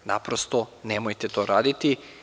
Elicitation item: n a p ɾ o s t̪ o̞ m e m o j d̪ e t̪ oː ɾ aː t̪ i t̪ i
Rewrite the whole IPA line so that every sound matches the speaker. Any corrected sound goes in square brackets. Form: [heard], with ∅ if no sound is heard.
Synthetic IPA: n a p ɾ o s t̪ o̞ [n] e m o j [t̪] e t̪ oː ɾ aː [d̪] i t̪ i